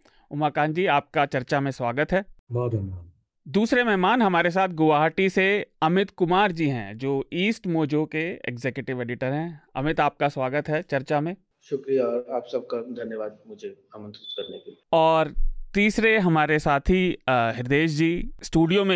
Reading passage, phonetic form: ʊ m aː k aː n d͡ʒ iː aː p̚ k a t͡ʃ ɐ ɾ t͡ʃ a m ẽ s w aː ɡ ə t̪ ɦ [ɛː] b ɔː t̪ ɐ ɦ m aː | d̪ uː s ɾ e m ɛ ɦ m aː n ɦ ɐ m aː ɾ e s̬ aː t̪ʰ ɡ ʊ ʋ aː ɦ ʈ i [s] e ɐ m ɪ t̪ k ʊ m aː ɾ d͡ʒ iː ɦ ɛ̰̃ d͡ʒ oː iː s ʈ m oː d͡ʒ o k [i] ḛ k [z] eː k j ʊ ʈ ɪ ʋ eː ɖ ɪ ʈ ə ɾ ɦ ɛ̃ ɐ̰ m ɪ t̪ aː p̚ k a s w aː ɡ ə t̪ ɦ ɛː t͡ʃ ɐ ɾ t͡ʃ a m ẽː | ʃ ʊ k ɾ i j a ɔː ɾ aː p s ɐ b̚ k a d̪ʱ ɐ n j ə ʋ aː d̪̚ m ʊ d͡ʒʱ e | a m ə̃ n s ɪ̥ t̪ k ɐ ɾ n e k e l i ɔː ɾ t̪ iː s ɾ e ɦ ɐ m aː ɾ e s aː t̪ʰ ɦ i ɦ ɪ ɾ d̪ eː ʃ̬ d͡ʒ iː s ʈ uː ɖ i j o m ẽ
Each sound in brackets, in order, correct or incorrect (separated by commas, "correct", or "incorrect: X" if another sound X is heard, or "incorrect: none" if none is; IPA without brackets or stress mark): correct, correct, incorrect: e, correct